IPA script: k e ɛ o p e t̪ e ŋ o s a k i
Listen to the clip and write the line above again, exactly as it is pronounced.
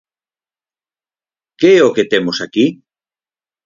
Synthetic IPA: k e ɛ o k e t̪ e m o s a k i